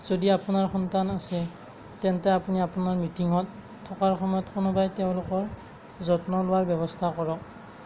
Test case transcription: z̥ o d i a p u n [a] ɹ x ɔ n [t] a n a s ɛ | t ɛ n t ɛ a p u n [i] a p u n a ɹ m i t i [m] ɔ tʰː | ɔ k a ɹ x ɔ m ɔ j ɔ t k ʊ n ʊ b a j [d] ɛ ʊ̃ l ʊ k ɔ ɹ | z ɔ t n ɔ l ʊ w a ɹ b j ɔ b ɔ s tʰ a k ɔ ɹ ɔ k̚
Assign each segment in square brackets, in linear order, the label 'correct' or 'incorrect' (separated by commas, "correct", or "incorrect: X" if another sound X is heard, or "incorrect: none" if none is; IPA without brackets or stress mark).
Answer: correct, correct, correct, incorrect: ŋ, incorrect: t